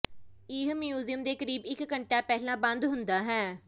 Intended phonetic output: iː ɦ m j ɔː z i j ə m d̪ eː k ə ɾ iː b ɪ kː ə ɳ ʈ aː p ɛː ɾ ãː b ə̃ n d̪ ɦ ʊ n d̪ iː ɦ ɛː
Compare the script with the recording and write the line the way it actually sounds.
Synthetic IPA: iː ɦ m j uː z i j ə m d̪ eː k ə ɾ iː b ɪ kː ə ɳ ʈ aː p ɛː l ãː b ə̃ n d̪ ɦ ʊ n d̪ aː ɦ ɛː